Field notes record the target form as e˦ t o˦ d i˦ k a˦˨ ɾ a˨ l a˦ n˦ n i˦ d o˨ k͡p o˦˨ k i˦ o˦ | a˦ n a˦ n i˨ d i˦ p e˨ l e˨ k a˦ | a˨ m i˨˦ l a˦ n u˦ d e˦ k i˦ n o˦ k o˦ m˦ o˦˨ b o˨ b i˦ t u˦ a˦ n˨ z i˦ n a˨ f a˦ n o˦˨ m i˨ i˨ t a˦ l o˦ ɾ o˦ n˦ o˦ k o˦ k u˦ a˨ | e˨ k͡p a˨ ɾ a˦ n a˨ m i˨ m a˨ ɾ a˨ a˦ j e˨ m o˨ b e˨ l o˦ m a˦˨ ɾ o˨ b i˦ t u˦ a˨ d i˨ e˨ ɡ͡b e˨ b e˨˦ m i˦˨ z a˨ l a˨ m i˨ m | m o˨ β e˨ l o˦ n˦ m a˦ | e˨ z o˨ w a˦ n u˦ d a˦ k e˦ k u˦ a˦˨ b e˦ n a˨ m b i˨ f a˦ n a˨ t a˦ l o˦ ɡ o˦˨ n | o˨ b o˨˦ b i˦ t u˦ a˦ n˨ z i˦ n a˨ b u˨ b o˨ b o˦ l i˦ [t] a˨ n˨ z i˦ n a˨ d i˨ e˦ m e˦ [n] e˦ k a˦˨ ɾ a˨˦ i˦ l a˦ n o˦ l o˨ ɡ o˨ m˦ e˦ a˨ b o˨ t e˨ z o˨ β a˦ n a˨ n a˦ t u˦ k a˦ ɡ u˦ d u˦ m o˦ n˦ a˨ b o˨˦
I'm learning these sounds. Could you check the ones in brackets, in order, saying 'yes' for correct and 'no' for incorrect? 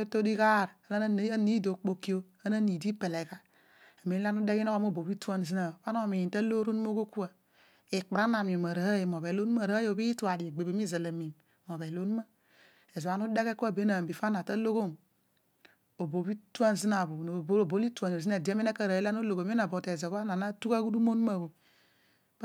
yes, yes

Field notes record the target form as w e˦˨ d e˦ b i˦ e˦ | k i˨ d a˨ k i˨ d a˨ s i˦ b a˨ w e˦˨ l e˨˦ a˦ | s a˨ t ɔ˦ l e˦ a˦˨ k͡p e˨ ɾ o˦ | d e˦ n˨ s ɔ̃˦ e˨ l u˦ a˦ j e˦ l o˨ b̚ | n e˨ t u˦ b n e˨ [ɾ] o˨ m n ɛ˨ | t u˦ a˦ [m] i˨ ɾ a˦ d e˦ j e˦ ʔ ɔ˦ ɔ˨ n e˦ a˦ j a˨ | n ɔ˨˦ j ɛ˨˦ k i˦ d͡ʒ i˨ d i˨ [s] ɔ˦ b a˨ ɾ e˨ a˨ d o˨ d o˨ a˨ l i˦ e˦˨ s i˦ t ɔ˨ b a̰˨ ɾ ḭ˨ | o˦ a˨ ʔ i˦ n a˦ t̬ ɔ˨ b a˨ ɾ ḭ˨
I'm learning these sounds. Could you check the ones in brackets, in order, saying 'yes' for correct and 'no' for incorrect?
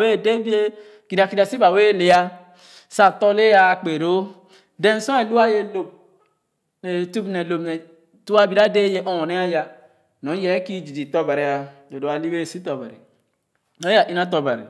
no, no, no

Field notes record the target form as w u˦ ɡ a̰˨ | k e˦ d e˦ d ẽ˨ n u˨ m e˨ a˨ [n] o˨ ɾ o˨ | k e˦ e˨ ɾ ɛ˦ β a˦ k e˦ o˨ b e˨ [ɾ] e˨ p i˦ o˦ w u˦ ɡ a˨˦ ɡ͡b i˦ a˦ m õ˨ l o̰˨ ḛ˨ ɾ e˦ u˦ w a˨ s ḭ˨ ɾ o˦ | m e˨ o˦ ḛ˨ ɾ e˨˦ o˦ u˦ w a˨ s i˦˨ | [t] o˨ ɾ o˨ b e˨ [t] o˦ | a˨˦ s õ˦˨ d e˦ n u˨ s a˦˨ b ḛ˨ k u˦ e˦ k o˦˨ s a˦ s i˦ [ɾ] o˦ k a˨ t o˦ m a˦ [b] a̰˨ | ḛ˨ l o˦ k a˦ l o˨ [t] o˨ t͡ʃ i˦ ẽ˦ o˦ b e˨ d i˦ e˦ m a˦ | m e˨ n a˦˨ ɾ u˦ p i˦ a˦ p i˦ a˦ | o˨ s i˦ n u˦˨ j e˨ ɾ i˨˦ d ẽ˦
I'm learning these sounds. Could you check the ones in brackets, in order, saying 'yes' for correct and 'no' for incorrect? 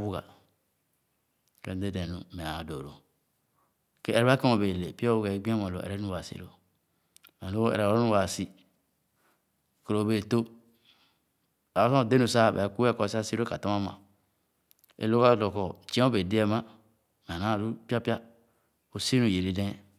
no, no, no, yes, yes, no, no

